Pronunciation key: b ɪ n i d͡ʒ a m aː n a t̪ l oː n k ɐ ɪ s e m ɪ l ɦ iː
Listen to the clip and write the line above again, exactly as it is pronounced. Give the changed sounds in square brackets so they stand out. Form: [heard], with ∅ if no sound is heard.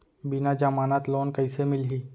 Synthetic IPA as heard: b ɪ n [a] d͡ʒ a m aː n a t̪ l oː n k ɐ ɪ s e m ɪ l ɦ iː